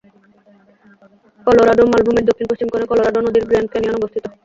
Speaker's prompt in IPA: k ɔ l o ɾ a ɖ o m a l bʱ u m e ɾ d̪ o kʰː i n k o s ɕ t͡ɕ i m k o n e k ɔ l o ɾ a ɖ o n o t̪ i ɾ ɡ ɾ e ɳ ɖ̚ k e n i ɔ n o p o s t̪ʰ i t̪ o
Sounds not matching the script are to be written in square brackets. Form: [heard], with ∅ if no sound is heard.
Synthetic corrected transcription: k ɔ l o ɾ a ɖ o m a l bʱ u m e ɾ d̪ o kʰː i n [p] o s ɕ t͡ɕ i m k o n e k ɔ l o ɾ a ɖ o n o [d̪] i ɾ ɡ ɾ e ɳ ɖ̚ k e n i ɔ n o [b] o s t̪ʰ i t̪ o